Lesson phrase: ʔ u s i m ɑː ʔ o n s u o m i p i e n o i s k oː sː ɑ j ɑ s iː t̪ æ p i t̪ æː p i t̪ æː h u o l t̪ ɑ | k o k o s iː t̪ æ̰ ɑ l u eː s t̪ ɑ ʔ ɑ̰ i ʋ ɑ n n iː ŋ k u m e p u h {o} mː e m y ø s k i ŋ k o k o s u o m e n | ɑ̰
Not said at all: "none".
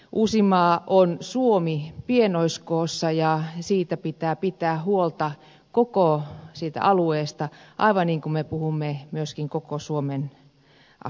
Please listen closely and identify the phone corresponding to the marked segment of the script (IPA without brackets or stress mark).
u